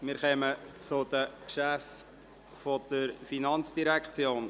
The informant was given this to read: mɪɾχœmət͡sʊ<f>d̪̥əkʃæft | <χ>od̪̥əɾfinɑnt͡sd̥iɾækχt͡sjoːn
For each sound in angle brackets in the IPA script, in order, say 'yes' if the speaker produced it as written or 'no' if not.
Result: no, no

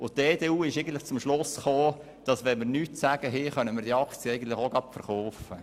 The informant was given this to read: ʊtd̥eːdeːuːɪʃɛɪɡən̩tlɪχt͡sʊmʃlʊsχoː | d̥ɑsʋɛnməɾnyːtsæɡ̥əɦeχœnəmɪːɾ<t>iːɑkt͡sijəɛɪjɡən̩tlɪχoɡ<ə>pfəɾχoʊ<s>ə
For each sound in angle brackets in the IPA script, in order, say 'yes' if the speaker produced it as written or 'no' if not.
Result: no, no, no

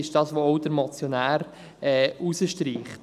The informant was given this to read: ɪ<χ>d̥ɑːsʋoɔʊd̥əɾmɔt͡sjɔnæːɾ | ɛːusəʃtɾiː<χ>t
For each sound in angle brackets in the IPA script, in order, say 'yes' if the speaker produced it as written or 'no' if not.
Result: no, yes

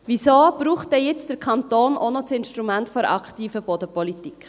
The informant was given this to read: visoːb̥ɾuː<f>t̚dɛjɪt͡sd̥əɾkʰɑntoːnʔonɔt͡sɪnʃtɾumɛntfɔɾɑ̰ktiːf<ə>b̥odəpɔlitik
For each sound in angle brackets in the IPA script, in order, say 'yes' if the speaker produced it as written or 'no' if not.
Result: no, yes

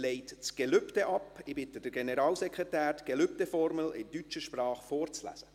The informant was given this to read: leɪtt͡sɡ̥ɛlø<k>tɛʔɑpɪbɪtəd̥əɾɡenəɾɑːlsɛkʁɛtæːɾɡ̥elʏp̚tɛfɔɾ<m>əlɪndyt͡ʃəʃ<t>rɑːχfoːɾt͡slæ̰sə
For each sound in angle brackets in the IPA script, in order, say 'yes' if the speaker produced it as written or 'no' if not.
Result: no, yes, no

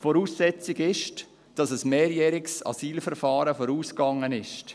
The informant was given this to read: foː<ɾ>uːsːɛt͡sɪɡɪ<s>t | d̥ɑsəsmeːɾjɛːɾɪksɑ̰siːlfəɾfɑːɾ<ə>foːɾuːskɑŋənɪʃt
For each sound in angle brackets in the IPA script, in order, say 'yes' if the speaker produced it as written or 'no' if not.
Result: yes, no, yes

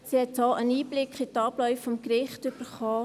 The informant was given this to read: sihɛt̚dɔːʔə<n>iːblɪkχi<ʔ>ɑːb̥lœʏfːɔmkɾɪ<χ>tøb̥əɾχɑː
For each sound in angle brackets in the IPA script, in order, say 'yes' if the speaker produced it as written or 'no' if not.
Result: yes, no, yes

